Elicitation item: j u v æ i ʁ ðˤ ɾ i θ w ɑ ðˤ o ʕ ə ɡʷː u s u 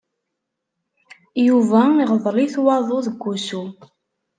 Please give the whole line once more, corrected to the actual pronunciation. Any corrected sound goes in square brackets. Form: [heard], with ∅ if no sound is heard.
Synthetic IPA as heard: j u v æ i ʁ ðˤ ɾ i θ w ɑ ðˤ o [ð] ə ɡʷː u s u